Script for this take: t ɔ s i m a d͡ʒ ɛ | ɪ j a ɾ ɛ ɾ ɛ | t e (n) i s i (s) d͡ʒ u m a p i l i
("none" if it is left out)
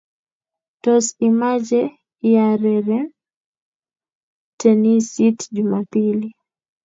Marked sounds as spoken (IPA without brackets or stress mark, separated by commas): n, t